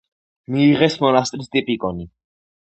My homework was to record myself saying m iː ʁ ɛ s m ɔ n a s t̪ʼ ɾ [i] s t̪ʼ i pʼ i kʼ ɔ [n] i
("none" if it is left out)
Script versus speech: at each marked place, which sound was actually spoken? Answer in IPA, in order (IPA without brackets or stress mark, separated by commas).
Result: i, n